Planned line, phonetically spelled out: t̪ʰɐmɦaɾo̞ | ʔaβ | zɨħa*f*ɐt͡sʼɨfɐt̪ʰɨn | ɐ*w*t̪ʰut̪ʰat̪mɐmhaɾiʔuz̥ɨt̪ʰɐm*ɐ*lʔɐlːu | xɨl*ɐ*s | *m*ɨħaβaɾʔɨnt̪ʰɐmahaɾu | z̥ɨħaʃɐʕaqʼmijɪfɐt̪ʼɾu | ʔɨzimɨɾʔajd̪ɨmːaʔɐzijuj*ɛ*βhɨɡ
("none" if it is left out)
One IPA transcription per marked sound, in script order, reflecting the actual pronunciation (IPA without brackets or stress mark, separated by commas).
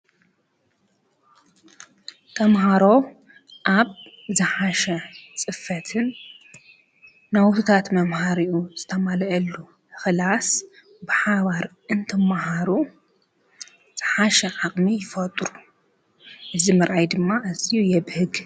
ʃ, w, a, a, b, ɛ